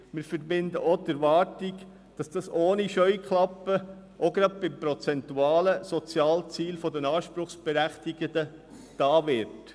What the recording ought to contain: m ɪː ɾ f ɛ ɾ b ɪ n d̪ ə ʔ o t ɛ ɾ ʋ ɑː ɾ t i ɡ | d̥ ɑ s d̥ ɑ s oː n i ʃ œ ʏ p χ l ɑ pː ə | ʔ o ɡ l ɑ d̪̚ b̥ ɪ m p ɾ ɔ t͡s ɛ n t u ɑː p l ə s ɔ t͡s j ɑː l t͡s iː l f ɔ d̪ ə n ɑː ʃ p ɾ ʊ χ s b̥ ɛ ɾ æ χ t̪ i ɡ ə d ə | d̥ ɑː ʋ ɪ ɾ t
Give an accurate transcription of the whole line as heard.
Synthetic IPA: m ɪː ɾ f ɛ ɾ b ɪ n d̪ ə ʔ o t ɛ ɾ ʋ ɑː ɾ t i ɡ | d̥ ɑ s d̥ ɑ s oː n i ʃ œ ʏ k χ l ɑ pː ə | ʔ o ɡ ɾ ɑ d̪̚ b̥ ɪ m p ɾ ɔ t͡s ɛ n t u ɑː l ə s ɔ t͡s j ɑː l t͡s iː l f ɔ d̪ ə n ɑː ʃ p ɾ ʊ χ s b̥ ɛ ɾ æ χ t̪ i ɡ ə d ə | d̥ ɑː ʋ ɪ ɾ t